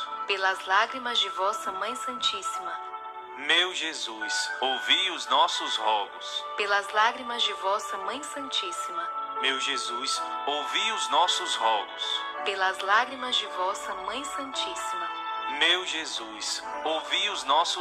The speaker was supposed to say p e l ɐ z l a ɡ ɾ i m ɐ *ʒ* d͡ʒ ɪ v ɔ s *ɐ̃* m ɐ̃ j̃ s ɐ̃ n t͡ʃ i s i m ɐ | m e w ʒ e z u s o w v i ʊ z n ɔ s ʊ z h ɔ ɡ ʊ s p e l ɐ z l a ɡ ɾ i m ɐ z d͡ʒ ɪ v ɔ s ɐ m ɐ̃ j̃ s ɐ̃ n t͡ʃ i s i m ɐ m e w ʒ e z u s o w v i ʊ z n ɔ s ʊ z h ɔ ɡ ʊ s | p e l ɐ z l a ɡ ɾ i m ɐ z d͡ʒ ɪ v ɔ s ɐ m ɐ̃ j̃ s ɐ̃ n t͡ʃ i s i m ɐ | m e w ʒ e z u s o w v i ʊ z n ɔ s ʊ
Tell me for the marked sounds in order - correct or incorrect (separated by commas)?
incorrect, incorrect